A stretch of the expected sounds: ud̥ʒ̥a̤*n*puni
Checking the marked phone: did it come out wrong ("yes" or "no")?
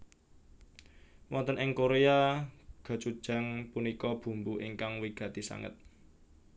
yes